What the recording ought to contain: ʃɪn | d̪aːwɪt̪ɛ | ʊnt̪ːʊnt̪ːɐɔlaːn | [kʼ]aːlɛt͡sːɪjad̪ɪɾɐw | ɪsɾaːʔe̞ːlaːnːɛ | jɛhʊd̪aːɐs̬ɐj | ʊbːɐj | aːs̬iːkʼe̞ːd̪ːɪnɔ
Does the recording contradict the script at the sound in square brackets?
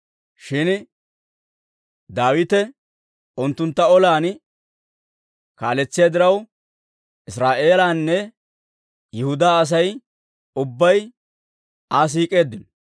yes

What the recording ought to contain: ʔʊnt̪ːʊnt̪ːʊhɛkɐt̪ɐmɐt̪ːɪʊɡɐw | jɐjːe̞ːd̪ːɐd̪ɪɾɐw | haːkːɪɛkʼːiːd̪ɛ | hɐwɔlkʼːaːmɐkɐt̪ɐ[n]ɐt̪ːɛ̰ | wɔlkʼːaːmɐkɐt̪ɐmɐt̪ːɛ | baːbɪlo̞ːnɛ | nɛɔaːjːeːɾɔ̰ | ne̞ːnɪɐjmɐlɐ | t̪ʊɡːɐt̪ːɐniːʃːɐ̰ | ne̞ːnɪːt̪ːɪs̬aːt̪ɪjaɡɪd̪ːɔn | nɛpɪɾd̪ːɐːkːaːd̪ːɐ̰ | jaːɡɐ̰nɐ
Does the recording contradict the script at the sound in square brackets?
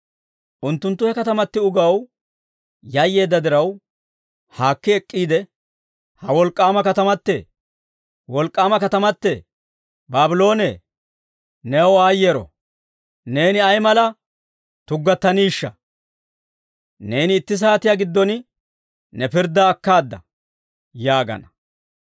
yes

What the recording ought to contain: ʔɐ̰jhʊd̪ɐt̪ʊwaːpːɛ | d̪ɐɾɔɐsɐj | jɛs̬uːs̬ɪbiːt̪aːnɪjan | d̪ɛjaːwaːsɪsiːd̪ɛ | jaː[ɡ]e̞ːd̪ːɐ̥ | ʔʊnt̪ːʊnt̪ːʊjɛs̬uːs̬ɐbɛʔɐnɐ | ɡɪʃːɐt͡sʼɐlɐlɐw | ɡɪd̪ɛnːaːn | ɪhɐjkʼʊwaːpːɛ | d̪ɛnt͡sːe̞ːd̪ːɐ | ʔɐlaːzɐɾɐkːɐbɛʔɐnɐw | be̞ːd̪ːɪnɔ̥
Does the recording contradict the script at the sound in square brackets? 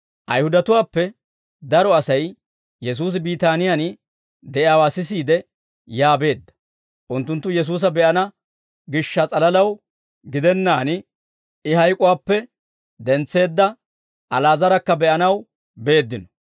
yes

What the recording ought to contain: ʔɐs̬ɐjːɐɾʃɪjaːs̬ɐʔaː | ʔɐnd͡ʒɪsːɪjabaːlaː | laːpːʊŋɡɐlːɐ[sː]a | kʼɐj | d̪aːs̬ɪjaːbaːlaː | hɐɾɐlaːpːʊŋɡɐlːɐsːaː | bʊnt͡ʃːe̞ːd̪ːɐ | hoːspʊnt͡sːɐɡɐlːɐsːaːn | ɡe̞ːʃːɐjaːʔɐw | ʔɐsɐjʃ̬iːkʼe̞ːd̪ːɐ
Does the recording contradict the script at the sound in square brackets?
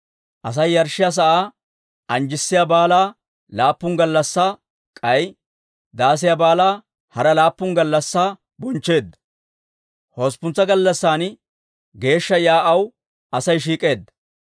no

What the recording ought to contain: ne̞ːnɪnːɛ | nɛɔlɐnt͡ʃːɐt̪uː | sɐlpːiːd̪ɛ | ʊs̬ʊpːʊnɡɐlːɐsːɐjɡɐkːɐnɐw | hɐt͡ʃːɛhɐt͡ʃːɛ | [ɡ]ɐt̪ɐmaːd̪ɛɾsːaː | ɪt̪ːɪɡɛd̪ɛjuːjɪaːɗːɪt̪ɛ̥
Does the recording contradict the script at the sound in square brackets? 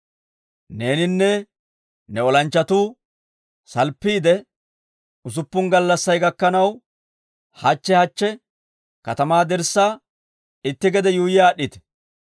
yes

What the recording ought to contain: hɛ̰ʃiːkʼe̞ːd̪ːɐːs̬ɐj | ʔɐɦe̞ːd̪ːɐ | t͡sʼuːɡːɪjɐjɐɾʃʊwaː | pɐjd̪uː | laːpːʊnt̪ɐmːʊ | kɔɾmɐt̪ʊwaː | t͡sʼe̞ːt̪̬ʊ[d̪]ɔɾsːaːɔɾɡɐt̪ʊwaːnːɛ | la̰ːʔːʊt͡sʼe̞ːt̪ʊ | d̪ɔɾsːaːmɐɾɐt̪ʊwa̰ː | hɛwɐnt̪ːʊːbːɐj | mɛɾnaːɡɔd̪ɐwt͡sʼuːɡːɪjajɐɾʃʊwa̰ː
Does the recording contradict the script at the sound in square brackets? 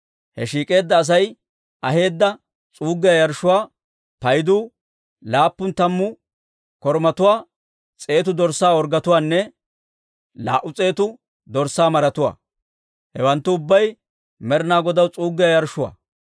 no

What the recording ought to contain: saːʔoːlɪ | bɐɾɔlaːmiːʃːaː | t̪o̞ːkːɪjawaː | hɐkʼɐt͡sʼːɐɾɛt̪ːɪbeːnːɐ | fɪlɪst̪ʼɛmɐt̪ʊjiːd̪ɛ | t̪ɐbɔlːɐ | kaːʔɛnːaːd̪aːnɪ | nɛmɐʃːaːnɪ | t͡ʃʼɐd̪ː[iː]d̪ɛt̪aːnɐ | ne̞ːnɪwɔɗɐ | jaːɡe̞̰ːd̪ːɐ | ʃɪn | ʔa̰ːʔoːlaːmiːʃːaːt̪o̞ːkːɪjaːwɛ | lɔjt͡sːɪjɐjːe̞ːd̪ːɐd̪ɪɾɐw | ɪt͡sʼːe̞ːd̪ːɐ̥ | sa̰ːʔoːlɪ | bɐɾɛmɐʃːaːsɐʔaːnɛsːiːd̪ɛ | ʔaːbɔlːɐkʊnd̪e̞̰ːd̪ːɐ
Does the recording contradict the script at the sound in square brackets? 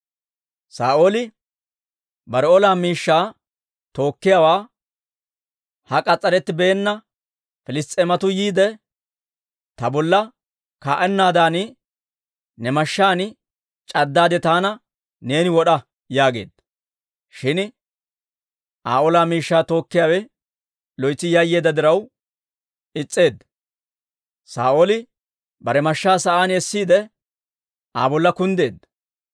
yes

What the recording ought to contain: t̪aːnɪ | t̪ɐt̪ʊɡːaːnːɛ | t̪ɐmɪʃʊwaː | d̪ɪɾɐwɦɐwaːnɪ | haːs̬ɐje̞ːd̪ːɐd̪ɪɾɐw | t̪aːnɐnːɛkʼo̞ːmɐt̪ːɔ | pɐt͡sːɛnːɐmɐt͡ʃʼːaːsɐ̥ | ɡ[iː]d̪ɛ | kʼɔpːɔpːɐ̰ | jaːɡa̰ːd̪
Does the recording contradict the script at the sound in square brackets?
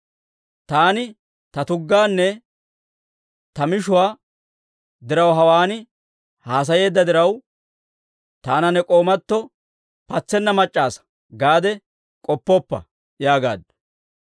yes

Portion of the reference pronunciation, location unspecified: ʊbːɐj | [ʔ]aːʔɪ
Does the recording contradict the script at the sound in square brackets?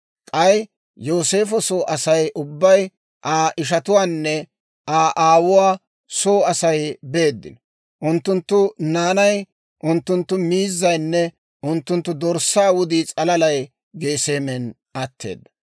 no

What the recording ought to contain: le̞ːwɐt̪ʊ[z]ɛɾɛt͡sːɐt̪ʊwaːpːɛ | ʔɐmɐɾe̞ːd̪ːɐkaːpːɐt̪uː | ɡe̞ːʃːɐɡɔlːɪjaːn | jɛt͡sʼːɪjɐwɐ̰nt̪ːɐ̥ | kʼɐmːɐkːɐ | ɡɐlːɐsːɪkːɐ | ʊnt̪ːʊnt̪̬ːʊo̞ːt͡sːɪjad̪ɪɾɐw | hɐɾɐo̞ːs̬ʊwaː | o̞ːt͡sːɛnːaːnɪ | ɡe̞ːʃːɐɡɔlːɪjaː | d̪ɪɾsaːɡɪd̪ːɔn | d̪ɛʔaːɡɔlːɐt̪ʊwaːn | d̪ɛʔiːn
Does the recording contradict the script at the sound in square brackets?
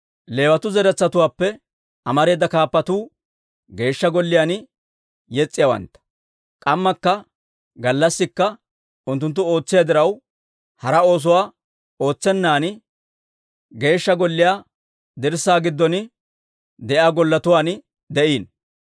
no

